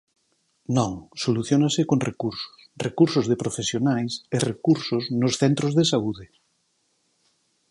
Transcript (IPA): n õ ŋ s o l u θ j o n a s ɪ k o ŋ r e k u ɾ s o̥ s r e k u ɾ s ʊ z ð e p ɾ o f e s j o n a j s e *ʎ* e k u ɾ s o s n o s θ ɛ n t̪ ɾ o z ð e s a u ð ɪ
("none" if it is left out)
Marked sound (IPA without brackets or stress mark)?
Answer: r